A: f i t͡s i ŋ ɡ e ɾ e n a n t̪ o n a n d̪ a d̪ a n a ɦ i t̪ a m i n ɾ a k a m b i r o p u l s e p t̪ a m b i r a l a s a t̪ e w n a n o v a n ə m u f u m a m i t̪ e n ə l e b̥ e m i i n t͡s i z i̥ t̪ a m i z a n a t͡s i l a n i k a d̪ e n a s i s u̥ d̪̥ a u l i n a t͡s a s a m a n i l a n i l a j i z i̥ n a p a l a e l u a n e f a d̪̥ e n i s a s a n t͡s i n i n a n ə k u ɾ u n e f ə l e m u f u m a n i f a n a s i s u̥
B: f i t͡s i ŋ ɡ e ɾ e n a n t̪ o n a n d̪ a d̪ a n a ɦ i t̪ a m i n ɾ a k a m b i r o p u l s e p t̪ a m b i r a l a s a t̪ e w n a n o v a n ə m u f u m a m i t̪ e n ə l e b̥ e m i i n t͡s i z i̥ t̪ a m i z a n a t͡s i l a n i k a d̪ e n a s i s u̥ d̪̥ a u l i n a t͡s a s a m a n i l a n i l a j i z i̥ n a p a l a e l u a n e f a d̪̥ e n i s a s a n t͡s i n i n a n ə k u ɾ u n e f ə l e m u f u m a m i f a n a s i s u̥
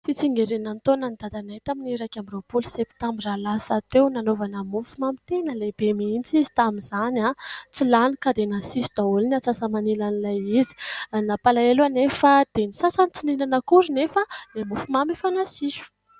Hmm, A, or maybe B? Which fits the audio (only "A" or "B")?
B